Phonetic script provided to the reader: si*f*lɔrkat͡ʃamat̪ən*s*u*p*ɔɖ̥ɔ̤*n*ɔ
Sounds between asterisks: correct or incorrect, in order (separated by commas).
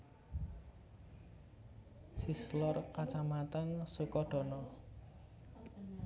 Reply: incorrect, correct, incorrect, correct